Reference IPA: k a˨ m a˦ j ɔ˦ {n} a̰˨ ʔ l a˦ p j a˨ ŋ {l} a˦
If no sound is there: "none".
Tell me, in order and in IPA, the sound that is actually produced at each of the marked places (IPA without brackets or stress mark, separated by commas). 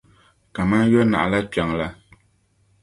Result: n, l